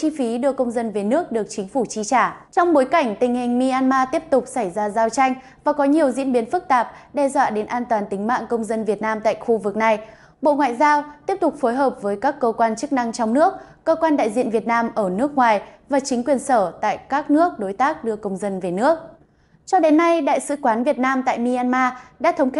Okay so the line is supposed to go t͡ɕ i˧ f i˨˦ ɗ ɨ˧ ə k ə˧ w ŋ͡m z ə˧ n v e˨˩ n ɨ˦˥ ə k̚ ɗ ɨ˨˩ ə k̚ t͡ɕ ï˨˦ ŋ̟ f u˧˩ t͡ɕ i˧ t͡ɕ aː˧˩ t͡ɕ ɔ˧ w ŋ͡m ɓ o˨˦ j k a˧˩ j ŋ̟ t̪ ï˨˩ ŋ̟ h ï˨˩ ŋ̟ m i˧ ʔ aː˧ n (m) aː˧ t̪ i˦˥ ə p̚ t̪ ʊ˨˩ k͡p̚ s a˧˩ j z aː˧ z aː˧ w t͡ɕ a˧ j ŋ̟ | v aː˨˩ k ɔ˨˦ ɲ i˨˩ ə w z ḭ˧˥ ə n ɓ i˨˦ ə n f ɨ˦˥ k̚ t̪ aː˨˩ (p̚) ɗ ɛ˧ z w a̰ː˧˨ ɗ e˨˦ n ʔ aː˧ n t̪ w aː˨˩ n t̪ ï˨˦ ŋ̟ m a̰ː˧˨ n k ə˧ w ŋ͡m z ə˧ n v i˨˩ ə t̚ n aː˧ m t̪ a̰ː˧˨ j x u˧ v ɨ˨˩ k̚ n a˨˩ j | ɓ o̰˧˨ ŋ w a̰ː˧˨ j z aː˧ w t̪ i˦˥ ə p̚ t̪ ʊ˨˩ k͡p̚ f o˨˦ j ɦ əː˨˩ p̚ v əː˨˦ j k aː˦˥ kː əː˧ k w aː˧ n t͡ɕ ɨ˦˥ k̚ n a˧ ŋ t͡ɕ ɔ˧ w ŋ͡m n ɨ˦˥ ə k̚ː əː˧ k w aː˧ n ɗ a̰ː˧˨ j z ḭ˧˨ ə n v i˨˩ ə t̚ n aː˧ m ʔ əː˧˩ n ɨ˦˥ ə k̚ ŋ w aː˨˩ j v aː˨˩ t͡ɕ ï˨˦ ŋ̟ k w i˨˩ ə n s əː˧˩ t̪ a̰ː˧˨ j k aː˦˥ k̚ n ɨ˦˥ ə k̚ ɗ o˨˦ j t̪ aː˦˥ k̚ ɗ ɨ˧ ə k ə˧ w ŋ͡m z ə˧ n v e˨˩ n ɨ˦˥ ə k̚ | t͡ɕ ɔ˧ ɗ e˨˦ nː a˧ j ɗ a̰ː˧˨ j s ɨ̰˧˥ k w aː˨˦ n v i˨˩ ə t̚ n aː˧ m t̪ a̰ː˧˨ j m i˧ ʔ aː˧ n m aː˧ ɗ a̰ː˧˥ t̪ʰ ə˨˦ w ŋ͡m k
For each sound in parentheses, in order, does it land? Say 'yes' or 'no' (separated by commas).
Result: yes, yes